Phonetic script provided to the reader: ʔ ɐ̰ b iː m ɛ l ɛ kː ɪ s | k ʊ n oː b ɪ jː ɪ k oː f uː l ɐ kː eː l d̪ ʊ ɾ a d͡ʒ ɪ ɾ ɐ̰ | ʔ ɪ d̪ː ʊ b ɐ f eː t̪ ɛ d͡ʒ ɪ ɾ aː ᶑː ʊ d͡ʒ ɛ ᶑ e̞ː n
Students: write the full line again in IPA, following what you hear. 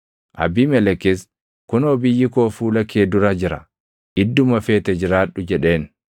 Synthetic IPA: ʔ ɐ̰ b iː m ɛ l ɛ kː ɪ s | k ʊ n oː b ɪ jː ɪ k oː f uː l ɐ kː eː d̪ ʊ ɾ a d͡ʒ ɪ ɾ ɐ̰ | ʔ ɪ d̪ː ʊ m ɐ f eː t̪ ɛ d͡ʒ ɪ ɾ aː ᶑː ʊ d͡ʒ ɛ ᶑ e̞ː n